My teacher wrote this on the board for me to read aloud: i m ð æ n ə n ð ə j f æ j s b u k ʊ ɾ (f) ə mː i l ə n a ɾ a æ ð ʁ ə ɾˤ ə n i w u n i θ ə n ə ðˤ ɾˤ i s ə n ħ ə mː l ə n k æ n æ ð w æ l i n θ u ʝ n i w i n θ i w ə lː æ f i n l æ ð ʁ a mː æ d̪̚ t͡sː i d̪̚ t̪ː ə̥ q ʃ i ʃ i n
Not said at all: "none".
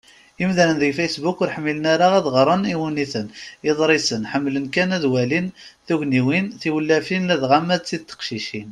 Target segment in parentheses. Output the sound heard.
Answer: ħ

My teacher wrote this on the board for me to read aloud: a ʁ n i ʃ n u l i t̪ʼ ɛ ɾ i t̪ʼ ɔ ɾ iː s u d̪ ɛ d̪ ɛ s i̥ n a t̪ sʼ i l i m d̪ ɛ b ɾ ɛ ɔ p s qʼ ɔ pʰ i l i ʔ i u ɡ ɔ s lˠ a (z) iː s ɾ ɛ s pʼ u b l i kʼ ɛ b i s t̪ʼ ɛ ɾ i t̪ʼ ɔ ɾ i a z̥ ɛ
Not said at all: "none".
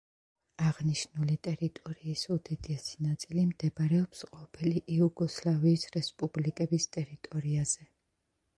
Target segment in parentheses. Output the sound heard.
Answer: v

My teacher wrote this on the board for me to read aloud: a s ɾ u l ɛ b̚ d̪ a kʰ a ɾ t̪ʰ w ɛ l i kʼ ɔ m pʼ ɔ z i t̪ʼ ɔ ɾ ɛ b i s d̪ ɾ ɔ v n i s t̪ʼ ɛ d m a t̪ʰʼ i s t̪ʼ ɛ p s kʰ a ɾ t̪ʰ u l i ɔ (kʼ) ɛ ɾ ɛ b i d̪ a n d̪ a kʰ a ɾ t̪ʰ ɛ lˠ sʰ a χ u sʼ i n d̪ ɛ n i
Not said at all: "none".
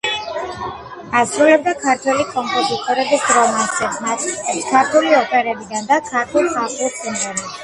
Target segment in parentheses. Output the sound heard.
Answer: pʼ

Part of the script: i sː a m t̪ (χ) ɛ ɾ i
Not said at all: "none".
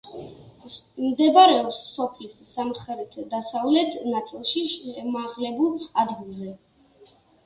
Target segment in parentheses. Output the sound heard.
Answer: χ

